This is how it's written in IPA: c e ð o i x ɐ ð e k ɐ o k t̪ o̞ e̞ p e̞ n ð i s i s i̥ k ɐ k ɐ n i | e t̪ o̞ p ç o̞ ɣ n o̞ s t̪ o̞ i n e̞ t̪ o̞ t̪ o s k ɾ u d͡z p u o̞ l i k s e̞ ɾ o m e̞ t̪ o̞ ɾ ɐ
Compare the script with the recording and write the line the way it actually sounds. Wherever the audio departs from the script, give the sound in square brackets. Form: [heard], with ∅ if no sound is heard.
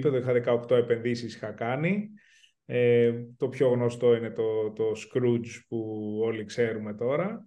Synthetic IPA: [p] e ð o i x ɐ ð e k ɐ o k t̪ o̞ e̞ p e̞ n ð i s i s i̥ [x] ɐ k ɐ n i | e t̪ o̞ p ç o̞ ɣ n o̞ s t̪ o̞ i n e̞ t̪ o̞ t̪ o s k ɾ u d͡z p u o̞ l i k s e̞ ɾ [u] m e̞ t̪ o̞ ɾ ɐ